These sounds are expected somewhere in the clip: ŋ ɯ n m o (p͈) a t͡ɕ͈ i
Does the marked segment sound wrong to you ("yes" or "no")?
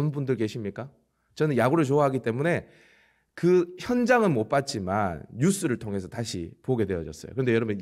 no